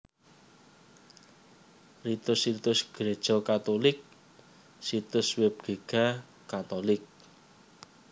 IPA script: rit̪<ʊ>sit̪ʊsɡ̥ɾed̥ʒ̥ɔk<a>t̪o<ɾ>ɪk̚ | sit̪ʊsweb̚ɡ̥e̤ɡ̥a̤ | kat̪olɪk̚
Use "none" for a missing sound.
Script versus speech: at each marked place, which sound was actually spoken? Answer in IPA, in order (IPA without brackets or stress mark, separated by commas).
ʊ, a, l